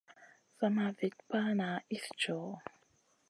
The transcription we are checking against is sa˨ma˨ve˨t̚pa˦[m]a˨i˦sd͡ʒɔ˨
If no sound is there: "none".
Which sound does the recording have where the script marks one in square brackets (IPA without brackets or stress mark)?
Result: n